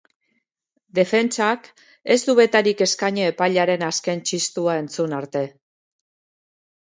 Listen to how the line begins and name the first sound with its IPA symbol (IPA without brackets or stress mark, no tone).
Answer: d̪